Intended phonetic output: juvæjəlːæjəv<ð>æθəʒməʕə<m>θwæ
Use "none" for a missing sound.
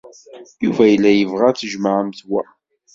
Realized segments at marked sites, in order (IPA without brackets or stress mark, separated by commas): ʁ, m